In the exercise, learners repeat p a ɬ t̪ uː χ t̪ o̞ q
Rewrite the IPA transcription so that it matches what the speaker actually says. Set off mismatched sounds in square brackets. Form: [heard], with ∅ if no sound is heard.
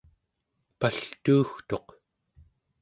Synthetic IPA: p a ɬ t̪ uː [x] t̪ o̞ q